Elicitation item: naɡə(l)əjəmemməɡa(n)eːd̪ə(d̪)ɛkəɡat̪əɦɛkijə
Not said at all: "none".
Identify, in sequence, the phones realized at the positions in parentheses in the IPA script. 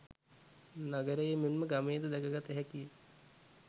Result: ɾ, m, d̪

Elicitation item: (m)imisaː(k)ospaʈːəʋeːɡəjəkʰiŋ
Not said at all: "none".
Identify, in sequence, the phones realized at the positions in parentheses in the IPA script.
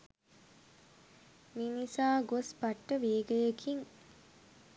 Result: m, ɡ

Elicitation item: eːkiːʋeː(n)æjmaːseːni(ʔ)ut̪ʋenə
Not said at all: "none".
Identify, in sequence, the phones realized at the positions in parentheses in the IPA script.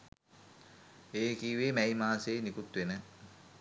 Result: m, k

